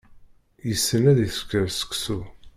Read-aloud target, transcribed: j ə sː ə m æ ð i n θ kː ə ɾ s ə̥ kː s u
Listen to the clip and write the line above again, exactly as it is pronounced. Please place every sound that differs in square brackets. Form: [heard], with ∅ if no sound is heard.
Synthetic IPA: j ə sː ə [n] æ ð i [∅] θ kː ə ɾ s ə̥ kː s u